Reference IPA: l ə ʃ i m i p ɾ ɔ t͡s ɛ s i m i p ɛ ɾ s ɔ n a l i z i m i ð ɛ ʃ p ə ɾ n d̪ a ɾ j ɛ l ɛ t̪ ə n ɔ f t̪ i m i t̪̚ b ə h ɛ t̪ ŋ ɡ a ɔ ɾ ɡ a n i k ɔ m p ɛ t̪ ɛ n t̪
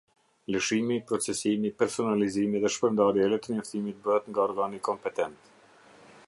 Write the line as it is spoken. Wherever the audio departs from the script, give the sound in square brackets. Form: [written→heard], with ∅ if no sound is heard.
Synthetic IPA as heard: l ə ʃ i m i p ɾ ɔ t͡s ɛ s i m i p ɛ ɾ s ɔ n a l i z i m i ð ɛ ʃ p ə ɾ n d̪ a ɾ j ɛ l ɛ t̪ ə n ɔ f t̪ i m i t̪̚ b ə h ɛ t̪ ŋ ɡ a ɔ ɾ ɡ a n i k ɔ m p ɛ t̪ ɛ n t̪